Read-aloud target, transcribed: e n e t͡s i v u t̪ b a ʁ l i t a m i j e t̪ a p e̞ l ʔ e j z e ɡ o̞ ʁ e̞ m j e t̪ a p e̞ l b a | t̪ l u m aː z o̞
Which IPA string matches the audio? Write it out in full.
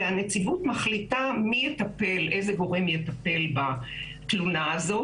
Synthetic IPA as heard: a n e t͡s i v u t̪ m a χ l i t a m i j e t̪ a p e̞ l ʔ e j z e ɡ o̞ ʁ e̞ m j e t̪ a p e̞ l b a | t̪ l u n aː z o̞